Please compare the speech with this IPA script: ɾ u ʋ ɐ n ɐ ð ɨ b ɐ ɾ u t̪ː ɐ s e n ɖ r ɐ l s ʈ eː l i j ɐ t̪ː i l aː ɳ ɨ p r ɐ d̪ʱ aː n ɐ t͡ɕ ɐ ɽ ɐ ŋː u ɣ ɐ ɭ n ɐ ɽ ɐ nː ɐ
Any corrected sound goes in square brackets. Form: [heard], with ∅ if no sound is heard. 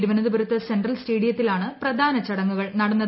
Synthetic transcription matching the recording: ɾ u ʋ ɐ n ɐ ð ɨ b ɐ ɾ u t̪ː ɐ s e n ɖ r ɐ l s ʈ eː [ɽ] i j ɐ t̪ː i l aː ɳ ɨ p r ɐ d̪ʱ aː n ɐ t͡ɕ ɐ ɽ ɐ ŋː u ɣ ɐ ɭ n ɐ ɽ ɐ nː ɐ